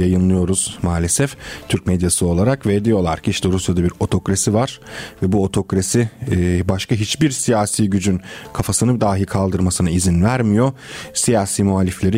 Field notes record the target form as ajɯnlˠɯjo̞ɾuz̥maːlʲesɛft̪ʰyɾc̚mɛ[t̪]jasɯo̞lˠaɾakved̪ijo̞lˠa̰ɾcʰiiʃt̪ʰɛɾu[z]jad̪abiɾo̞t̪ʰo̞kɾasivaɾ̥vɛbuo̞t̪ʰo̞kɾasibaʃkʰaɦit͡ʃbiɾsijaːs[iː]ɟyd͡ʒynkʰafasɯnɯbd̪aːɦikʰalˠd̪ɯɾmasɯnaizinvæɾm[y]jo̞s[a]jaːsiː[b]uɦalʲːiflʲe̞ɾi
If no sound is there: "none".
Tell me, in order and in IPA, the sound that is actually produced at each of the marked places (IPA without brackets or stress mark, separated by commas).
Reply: d̪, s, iː, i, i, m